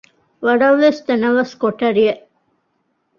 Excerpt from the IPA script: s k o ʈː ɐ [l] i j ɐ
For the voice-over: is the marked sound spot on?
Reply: no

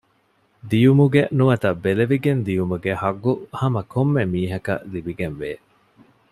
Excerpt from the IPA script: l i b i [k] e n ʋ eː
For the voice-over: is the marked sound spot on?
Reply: no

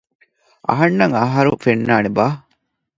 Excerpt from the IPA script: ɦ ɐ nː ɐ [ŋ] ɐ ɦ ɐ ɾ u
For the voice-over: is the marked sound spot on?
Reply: yes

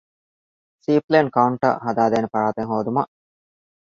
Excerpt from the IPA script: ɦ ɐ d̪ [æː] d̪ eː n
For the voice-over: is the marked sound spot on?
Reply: no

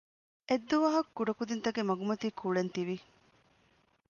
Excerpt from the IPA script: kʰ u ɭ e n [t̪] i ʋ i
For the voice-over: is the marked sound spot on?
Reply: yes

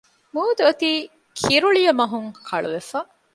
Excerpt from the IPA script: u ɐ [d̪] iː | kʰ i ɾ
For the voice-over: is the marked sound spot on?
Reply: no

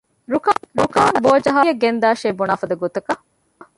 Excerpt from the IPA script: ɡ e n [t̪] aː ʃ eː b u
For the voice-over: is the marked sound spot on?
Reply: no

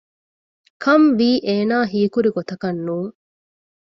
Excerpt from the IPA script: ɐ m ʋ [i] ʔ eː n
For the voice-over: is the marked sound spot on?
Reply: no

